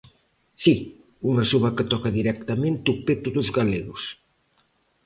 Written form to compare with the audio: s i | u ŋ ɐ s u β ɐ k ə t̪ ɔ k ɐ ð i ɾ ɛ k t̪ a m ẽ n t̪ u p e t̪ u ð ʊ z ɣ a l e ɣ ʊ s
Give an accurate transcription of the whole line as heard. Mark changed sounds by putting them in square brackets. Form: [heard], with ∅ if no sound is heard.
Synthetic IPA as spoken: s i | u ŋ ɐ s u β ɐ k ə t̪ ɔ k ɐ ð i ɾ ɛ k t̪ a m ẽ n t̪ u p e t̪ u ð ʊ z ɣ a l e ɣ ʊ s